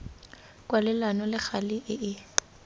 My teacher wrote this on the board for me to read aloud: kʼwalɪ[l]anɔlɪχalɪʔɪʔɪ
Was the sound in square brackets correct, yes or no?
yes